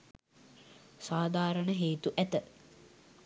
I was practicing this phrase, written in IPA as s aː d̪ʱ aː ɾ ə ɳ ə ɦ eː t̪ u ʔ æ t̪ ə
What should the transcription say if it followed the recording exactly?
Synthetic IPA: s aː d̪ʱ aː ɾ ə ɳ ə ɦ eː t̪ u ʔ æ t̪ ə